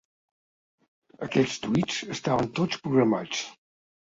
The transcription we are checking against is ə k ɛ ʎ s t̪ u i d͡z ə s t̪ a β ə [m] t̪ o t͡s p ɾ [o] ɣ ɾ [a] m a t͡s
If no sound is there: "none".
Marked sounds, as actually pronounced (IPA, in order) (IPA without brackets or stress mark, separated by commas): n, u, ə